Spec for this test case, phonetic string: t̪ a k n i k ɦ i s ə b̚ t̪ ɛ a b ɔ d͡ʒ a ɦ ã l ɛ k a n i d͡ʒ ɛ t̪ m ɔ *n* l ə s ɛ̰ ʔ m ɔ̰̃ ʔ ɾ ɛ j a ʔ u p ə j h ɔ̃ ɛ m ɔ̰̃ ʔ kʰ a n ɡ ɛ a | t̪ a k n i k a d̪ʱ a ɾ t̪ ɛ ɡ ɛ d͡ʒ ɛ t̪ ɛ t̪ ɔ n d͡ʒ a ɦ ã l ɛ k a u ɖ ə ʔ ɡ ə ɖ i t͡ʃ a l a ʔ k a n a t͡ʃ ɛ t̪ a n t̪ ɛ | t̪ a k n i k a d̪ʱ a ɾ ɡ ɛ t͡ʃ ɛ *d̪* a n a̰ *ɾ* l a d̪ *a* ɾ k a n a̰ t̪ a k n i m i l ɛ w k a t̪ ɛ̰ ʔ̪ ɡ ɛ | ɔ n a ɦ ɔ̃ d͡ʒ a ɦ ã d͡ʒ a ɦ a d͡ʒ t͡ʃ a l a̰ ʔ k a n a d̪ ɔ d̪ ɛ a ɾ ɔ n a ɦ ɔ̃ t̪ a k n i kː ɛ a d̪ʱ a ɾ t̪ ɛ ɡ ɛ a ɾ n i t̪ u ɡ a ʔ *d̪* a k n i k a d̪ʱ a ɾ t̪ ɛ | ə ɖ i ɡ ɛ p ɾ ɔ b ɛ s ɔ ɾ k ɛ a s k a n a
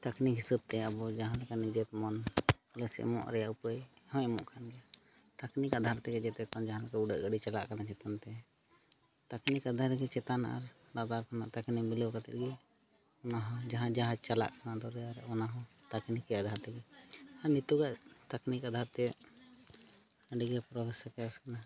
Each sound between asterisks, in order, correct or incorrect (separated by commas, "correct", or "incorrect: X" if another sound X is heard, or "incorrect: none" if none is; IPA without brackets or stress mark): correct, incorrect: t̪, correct, correct, incorrect: t̪